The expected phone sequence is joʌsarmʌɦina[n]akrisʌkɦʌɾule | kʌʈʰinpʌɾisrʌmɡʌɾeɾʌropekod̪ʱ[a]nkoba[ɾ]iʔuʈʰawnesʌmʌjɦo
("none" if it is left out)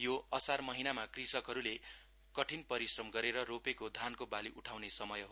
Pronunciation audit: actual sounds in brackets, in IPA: m, a, l

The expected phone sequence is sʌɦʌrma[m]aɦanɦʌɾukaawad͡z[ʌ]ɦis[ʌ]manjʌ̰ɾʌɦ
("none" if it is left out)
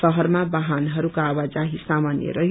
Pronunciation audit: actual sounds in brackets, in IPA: b, a, a

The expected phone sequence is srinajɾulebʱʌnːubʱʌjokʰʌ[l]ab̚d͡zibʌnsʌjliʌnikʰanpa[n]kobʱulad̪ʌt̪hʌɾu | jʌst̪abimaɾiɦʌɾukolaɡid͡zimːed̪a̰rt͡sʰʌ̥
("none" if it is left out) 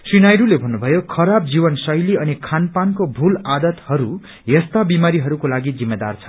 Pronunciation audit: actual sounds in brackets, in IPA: ɾ, n

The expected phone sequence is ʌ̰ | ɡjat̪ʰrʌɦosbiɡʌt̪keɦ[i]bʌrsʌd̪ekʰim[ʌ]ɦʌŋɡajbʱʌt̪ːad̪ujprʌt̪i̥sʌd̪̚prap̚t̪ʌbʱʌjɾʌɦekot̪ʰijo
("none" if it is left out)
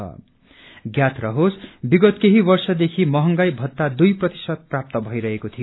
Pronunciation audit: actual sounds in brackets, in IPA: i, ʌ

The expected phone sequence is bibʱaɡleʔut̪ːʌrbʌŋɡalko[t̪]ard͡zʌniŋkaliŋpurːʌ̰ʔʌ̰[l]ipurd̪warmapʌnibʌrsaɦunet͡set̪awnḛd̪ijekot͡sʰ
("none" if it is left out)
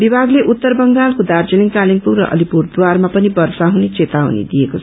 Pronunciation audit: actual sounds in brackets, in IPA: d̪, l

